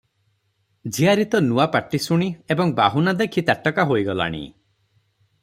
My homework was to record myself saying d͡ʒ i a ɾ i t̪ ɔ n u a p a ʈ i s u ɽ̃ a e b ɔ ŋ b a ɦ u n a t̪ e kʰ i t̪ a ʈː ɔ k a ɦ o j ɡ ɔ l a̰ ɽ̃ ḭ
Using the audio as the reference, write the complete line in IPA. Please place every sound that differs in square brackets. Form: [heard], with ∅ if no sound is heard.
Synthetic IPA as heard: d͡ʒ i a ɾ i t̪ ɔ n u a p a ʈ i s u ɽ̃ [i] e b ɔ ŋ b a ɦ u n a [d̪] e kʰ i t̪ a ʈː ɔ k a ɦ o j ɡ ɔ l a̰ ɽ̃ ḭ